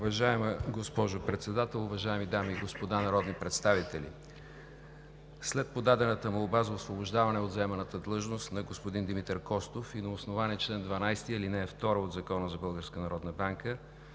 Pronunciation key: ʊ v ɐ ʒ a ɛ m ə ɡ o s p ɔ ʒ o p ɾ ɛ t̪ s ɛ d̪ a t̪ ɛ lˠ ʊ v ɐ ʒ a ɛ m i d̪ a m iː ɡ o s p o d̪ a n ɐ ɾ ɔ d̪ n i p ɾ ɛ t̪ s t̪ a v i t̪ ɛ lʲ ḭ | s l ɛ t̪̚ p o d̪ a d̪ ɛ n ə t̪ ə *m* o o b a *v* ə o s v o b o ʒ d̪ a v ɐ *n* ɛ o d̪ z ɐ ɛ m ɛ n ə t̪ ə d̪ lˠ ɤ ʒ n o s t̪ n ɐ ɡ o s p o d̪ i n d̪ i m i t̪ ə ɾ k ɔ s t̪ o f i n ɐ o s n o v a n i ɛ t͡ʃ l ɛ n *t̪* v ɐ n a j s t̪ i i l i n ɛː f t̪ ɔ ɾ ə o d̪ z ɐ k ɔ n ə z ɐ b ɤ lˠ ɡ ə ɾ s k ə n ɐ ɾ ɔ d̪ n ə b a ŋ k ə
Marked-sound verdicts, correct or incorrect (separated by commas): correct, incorrect, correct, incorrect